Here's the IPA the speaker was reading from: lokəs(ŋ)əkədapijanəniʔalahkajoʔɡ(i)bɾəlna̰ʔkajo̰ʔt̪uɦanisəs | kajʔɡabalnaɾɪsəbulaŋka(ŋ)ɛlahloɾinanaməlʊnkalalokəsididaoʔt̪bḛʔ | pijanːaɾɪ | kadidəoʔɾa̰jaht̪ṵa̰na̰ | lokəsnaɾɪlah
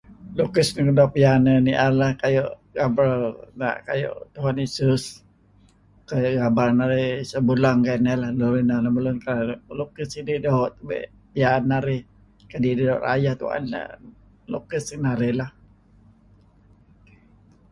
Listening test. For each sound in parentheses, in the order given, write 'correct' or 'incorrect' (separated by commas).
incorrect, incorrect, incorrect